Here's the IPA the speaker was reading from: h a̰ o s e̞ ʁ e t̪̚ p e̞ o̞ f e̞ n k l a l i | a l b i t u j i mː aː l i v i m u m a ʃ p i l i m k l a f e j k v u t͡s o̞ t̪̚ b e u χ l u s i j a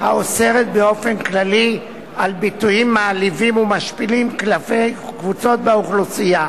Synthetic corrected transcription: h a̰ o s e̞ ʁ e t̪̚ b e̞ o̞ f e̞ n k l a l i | a l b i t u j i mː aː l i v i m u m a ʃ p i l i m k l a f e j k v u t͡s o̞ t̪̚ b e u χ l u s i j a